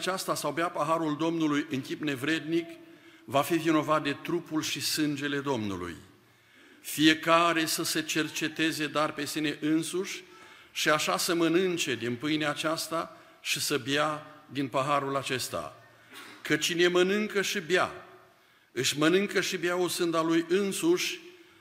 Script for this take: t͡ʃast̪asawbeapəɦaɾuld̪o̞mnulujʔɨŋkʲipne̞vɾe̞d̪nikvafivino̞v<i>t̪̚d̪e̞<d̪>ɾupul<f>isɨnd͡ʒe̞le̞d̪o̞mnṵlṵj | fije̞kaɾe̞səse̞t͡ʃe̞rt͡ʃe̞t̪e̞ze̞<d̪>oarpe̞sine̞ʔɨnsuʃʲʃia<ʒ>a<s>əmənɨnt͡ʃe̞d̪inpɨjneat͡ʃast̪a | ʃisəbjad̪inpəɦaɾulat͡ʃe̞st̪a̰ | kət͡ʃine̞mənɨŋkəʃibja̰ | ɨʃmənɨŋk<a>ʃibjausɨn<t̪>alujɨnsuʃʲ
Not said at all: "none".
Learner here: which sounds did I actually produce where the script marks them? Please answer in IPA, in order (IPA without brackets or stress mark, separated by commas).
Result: a, t̪, ʃ, d̪, ʃ, s, ə, d̪